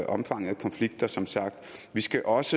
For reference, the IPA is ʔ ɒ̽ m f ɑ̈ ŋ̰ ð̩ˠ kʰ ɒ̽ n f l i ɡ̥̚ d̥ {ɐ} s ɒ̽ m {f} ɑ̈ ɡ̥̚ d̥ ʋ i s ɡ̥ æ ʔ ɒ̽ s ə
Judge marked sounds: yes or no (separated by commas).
yes, no